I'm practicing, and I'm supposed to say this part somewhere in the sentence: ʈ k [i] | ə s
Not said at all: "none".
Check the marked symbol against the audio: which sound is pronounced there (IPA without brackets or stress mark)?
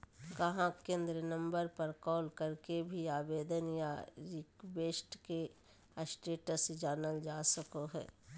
e